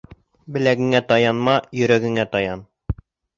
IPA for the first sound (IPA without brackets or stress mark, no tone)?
b